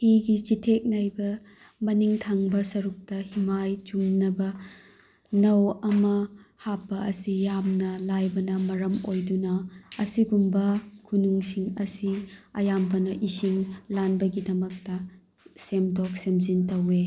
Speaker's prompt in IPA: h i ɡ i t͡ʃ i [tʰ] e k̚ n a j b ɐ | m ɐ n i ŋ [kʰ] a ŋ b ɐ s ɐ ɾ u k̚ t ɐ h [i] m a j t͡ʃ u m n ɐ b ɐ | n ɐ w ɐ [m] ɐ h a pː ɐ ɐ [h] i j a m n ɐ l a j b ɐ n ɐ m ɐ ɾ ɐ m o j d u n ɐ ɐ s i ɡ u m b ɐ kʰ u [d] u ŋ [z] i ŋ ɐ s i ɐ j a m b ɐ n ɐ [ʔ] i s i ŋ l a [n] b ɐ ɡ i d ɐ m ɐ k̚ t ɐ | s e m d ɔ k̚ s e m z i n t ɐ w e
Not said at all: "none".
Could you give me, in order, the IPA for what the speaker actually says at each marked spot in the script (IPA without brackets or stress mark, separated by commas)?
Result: tʰ, tʰ, i, m, s, n, s, ʔ, n